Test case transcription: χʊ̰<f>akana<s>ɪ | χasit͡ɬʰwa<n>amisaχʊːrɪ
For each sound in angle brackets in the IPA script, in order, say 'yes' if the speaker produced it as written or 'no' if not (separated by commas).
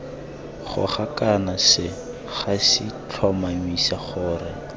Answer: no, yes, no